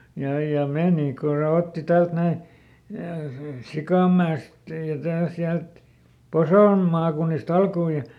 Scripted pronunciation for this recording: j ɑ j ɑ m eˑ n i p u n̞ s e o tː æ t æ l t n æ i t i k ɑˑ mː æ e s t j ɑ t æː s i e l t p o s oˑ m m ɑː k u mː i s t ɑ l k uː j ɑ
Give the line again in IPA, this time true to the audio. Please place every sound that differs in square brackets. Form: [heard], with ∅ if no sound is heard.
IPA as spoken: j ɑ j ɑ m eˑ n i [k] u n̞ s e o tː [i] t æ l t n æ i [s] i k ɑˑ mː æ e s t j ɑ t æː s i [æ] l t p o s oˑ m m ɑː k u [nː] i s t ɑ l k uː j ɑ